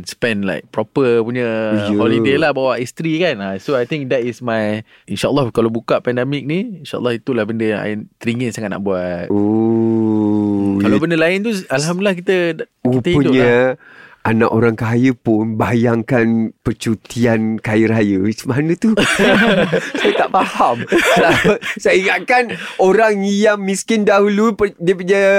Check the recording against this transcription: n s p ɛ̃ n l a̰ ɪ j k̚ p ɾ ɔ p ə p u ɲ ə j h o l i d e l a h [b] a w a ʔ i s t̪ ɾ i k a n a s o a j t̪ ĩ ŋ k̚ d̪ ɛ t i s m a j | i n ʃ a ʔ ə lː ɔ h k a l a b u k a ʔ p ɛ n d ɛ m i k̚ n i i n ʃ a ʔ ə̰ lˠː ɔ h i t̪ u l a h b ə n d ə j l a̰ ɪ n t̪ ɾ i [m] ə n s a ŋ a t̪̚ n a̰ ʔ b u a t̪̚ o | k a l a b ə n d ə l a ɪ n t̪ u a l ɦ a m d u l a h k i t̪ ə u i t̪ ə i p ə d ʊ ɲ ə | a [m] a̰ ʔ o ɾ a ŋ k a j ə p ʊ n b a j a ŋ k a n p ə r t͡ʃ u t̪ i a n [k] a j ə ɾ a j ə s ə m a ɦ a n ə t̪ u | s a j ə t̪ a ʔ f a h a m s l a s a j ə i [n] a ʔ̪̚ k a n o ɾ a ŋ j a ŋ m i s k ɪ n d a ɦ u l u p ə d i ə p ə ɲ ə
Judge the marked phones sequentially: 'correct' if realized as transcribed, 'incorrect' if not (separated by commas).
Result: correct, incorrect, incorrect, correct, incorrect